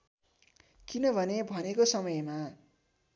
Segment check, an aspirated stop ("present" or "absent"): absent